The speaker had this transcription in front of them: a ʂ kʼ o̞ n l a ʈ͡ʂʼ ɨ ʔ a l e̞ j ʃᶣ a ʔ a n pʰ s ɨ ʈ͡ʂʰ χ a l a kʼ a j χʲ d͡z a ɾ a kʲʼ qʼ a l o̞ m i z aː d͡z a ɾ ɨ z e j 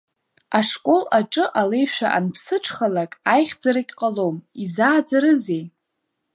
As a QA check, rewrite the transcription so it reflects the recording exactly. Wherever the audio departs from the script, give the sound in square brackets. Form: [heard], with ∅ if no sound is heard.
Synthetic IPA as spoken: a ʂ kʼ o̞ [∅] l a ʈ͡ʂʼ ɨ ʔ a l e̞ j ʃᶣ a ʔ a n pʰ s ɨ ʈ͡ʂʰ χ a l a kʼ a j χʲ d͡z a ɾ a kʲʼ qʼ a l o̞ m i z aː d͡z a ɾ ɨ z e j